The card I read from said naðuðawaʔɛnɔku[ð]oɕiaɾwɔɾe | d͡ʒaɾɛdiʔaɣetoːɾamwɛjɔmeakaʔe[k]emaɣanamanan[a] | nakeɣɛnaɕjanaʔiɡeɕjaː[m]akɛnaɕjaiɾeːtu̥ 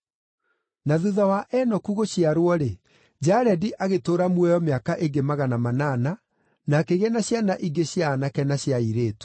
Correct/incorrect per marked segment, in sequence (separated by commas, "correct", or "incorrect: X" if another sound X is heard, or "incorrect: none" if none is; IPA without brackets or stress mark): incorrect: ɣ, incorrect: ɡ, correct, incorrect: n